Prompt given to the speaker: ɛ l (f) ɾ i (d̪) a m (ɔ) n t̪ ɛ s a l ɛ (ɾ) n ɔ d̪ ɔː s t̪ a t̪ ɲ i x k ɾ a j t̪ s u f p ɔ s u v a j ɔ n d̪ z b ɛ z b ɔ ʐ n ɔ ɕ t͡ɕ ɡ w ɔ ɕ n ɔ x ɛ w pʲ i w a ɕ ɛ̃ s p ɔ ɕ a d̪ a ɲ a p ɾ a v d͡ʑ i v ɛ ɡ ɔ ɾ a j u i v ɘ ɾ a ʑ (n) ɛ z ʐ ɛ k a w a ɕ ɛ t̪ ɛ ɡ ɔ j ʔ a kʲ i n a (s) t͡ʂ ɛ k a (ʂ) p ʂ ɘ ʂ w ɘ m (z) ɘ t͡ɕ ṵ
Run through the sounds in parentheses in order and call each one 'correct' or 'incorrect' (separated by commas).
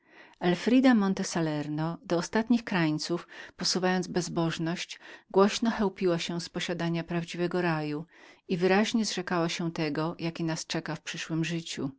correct, correct, correct, correct, incorrect, correct, incorrect, incorrect